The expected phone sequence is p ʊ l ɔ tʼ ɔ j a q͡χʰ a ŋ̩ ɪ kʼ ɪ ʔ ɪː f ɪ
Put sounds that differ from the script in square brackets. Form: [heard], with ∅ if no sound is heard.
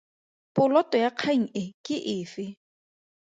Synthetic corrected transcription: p ʊ l ɔ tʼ ɔ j a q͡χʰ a ŋ̩ ɪ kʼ ɪ ʔ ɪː f ɪ